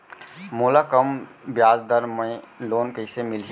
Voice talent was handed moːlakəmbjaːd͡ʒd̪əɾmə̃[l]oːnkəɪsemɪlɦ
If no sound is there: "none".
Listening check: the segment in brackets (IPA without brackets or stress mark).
l